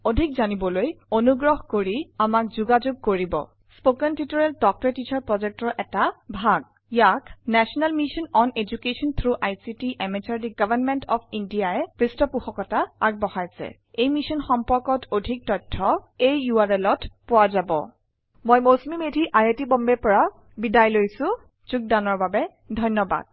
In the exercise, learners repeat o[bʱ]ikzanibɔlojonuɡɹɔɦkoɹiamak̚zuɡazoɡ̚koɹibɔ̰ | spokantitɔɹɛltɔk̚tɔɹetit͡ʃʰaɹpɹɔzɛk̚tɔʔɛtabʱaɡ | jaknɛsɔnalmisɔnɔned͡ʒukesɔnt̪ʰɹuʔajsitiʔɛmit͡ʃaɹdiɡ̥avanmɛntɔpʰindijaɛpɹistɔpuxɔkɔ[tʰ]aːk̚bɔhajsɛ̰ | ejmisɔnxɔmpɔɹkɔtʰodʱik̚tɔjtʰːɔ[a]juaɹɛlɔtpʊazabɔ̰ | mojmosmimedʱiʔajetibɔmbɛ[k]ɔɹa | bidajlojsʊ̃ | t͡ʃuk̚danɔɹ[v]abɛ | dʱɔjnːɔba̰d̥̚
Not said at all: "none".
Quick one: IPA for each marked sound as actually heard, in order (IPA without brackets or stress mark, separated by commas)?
dʱ, t, e, p, b